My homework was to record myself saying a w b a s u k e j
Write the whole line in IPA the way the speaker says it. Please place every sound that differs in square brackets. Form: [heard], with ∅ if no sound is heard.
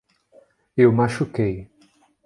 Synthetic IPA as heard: [e] w [m] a [ʃ] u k e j